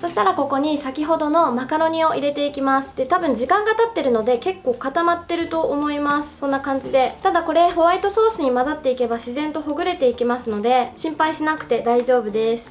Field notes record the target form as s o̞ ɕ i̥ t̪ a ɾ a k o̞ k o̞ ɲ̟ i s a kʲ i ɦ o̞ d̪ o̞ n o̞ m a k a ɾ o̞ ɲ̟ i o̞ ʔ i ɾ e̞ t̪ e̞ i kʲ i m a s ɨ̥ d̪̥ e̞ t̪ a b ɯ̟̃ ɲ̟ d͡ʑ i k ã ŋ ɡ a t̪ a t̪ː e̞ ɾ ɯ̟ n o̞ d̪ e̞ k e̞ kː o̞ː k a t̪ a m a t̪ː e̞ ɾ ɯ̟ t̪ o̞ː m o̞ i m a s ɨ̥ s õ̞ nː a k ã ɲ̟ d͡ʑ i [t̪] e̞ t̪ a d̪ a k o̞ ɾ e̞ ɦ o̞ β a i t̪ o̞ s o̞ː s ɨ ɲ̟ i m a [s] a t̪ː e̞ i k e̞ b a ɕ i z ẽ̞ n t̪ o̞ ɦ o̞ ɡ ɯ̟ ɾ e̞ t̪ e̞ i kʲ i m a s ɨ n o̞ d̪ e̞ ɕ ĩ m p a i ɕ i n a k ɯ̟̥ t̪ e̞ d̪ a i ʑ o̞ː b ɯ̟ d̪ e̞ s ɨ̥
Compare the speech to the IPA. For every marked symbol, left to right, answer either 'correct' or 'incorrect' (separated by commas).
incorrect, incorrect